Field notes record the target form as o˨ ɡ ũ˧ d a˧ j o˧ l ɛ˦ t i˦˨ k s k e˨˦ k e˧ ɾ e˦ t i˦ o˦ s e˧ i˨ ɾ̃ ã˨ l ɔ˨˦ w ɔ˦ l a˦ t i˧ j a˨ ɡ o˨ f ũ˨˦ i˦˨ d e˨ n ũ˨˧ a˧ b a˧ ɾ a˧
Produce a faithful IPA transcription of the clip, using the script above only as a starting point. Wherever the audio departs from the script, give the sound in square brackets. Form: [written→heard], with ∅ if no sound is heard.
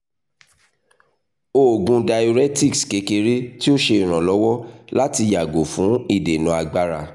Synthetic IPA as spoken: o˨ ɡ ũ˧ d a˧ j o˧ [l→ɾ] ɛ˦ t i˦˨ k s k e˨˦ k e˧ ɾ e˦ t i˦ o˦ [s→ʃ] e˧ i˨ ɾ̃ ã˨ l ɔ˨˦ w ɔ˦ l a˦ t i˧ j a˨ ɡ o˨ f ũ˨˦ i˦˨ d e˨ n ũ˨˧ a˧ [b→ɡ͡b] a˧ ɾ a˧